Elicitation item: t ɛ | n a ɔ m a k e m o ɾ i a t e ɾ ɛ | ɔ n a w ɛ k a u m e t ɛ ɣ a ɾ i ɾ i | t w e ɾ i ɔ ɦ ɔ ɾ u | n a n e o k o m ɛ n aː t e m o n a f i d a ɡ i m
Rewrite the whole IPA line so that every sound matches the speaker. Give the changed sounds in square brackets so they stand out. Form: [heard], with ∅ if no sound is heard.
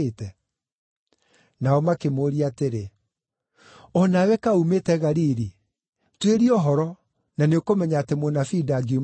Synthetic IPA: t ɛ | n a ɔ m a k e m o ɾ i a t e ɾ [e] | ɔ n a w ɛ k a u m e t ɛ ɣ a ɾ i ɾ i | t w e ɾ i ɔ ɦ ɔ ɾ [ɔ] | n a n e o k o m ɛ [ɲ] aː t e m o n a f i d a ɡ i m